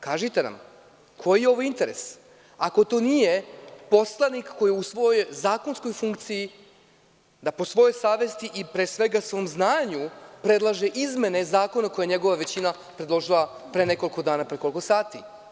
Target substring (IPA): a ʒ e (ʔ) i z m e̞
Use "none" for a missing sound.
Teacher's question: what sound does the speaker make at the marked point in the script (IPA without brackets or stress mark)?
ʔ